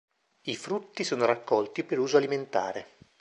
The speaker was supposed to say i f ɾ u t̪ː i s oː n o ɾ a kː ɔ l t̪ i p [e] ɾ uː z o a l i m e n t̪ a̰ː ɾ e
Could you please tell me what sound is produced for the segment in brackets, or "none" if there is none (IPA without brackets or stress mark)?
e